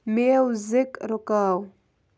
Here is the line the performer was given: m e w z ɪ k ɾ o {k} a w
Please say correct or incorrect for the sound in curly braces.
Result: correct